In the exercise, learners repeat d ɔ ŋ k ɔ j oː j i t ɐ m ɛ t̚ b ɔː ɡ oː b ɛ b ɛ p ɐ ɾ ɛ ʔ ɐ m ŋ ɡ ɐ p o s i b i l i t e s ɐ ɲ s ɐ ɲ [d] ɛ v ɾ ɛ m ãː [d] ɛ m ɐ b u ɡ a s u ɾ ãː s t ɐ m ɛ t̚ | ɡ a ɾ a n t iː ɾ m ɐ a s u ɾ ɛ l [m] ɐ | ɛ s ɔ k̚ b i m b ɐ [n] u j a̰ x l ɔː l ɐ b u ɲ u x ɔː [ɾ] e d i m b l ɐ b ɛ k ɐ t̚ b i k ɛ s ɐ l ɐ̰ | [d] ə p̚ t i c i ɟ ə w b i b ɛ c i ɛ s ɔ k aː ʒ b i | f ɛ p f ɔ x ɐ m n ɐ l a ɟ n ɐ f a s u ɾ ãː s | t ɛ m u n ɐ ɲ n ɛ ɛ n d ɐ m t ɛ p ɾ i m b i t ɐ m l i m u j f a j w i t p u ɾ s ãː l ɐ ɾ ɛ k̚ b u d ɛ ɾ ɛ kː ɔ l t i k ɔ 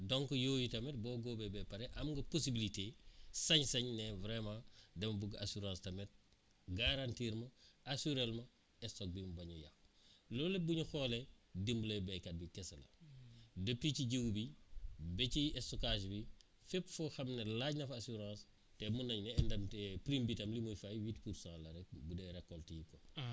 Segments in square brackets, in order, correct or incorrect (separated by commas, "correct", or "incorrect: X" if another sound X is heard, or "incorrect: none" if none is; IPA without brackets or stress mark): incorrect: n, correct, correct, incorrect: ɲ, incorrect: l, correct